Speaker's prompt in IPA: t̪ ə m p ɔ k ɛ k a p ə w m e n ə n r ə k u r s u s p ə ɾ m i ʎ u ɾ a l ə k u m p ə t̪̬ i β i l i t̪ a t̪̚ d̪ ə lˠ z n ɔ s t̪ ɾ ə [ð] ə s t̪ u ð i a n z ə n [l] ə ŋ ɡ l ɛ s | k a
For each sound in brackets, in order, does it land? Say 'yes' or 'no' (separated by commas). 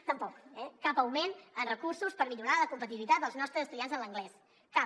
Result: no, yes